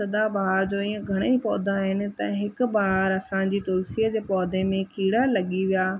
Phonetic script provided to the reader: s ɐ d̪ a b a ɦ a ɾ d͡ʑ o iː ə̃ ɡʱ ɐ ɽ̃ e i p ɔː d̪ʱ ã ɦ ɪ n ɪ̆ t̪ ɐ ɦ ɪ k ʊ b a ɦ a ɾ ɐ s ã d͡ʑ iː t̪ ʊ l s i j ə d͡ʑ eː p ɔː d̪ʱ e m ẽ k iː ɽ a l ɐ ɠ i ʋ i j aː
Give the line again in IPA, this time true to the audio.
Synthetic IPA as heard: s ɐ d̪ a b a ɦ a ɾ d͡ʑ o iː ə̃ ɡʱ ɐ ɽ̃ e i p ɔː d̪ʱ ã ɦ ɪ n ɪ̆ t̪ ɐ ɦ ɪ k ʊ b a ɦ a ɾ ɐ s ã d͡ʑ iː t̪ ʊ l s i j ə d͡ʑ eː p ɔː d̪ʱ e m ẽ k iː ɽ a l ɐ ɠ i ʋ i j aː